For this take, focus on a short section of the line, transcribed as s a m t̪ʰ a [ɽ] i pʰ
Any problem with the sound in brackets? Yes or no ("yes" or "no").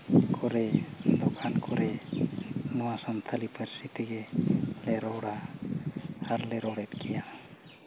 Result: yes